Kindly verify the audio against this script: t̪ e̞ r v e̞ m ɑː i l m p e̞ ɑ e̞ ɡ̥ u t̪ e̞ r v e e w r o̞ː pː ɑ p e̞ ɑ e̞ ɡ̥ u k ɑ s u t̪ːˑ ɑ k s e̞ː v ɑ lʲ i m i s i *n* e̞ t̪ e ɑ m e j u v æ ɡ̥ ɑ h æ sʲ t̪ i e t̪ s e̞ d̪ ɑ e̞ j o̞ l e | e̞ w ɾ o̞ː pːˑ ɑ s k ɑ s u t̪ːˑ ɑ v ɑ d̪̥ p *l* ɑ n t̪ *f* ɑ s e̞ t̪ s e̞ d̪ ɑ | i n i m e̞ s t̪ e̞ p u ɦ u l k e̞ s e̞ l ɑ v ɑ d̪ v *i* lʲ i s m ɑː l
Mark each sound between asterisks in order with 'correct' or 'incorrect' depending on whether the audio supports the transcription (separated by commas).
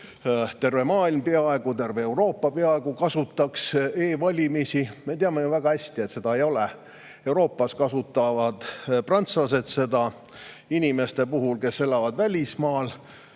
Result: incorrect, incorrect, incorrect, incorrect